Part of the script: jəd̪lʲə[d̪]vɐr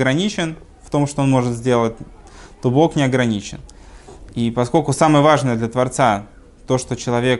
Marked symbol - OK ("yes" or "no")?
no